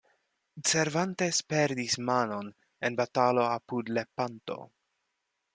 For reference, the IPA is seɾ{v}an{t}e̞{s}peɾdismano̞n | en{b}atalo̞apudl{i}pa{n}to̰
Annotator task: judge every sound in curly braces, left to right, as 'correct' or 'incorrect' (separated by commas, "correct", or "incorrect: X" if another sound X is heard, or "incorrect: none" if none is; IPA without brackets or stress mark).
correct, correct, correct, correct, incorrect: e, correct